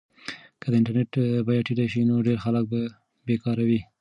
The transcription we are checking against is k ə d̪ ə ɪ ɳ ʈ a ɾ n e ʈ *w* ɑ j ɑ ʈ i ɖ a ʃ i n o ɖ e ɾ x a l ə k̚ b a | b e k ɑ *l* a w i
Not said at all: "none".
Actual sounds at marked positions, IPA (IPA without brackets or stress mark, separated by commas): b, ɾ